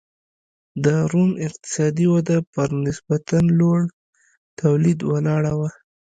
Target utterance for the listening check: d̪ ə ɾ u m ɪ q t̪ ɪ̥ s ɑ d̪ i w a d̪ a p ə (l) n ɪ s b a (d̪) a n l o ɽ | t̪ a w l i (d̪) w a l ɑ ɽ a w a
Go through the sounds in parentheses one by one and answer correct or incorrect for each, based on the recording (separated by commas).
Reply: incorrect, incorrect, correct